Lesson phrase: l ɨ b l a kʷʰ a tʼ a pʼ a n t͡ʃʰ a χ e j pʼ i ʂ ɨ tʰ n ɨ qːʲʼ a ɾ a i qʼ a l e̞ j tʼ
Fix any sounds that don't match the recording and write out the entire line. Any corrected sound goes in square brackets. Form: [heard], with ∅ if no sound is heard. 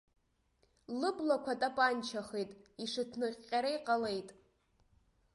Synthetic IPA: l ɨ b l a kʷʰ a tʼ a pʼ a n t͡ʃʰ a χ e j [tʼ] i ʂ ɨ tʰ n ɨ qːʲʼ a ɾ a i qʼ a l e̞ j tʼ

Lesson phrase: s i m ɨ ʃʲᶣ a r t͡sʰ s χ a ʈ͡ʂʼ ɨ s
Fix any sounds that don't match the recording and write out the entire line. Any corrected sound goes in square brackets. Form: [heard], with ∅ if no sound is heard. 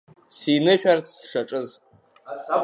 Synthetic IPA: s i [n] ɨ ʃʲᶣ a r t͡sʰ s [ʂ] a ʈ͡ʂʼ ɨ [z]

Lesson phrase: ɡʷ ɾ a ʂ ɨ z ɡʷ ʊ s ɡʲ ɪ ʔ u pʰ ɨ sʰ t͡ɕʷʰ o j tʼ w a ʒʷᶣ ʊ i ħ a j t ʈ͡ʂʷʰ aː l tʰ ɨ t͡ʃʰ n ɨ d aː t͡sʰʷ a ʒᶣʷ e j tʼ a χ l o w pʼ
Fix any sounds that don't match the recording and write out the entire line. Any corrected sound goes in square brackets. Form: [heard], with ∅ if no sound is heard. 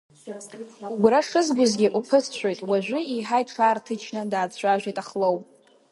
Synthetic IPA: ɡʷ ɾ a ʂ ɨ z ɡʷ ʊ [z] ɡʲ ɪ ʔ u pʰ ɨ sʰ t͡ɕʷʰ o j tʼ w a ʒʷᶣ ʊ i ħ a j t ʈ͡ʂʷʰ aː [r] tʰ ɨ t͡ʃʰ n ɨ d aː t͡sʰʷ a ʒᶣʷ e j tʼ a χ l o w pʼ

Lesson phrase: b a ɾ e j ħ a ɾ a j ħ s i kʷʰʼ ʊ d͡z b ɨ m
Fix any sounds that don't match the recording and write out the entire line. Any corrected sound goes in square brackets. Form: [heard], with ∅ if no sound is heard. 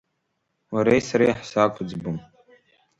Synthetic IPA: [w] a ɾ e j [s] a ɾ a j ħ s [a] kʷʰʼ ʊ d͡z b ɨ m

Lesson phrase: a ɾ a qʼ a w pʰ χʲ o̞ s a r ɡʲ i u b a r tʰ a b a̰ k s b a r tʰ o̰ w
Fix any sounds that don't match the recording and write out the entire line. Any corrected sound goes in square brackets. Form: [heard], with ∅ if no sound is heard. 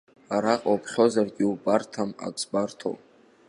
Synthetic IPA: a ɾ a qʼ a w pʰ χʲ o̞ [z] a r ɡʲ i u b a r tʰ a [m] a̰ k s b a r tʰ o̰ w

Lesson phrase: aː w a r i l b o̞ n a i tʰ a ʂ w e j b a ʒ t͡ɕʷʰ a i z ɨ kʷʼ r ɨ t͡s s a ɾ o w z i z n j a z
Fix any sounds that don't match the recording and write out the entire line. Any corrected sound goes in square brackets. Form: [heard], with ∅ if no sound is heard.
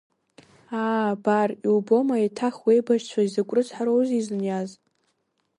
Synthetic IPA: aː [b] a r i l b o̞ [m] a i tʰ a [χ] w e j b a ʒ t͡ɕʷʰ a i z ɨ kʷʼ r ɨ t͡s [ħ] a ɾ o w z i z n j a z

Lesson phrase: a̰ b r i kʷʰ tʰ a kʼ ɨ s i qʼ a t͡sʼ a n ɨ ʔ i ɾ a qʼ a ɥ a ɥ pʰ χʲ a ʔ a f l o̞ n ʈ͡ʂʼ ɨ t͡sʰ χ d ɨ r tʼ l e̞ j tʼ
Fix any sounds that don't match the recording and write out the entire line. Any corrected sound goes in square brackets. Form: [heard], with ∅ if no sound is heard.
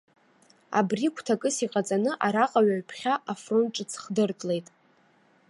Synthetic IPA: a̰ b r i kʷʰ tʰ a kʼ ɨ s i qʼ a t͡sʼ a n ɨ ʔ [a] ɾ a qʼ a ɥ a ɥ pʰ χʲ a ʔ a f [r] o̞ n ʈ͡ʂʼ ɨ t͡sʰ χ d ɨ r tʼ l e̞ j tʼ

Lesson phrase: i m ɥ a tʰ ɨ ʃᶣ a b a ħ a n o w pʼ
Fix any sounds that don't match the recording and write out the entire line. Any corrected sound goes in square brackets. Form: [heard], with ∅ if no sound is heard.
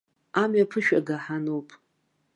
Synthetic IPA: [a] m ɥ a [pʰ] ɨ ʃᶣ a [ɡ] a ħ a n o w pʼ

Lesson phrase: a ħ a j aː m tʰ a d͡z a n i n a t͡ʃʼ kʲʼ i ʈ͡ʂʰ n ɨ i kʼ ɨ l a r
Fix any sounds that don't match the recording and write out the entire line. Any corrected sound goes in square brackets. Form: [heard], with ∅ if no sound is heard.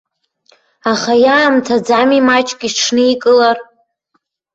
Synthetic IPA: a [χ] a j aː m tʰ a d͡z a [m] i [m] a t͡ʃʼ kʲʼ i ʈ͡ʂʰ n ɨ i kʼ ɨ l a r

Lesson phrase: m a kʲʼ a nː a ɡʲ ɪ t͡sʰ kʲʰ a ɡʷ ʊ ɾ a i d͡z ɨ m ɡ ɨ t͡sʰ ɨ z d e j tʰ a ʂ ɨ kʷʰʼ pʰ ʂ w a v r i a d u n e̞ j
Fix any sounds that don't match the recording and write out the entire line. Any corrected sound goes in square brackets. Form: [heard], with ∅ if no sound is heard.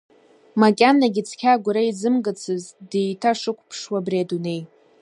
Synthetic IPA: m a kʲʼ a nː a ɡʲ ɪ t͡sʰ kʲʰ a ɡʷ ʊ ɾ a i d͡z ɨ m ɡ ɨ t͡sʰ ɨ z d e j tʰ a ʂ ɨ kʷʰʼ pʰ ʂ w a [b] r i a d u n e̞ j

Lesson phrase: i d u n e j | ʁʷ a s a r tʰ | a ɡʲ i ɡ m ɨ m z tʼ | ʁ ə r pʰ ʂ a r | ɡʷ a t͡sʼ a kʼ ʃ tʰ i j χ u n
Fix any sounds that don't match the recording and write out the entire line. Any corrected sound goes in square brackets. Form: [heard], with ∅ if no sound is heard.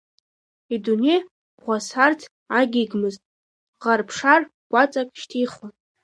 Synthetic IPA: i d u n e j | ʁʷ a s a r tʰ | a ɡʲ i ɡ m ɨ [∅] z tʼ | ʁ [a] r pʰ ʂ a r | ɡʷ a t͡sʼ a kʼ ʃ tʰ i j χ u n

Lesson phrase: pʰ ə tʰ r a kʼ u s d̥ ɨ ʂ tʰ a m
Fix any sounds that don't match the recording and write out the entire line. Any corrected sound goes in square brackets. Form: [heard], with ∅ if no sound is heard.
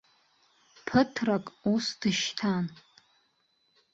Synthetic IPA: pʰ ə tʰ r a kʼ u s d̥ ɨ [ʃ] tʰ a [n]

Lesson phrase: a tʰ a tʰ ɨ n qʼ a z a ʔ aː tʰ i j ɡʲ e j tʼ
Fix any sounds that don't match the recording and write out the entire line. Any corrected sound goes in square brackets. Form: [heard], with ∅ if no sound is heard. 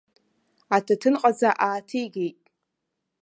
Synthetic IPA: a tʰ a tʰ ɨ n qʼ a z a ʔ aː tʰ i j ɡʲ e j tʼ

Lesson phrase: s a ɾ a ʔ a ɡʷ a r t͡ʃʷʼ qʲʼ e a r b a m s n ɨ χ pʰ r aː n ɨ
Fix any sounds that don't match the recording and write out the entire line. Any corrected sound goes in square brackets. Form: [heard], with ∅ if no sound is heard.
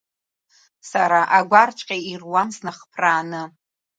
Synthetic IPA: s a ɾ a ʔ a ɡʷ a r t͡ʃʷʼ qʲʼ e [i] r [w] a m s n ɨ χ pʰ r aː n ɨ

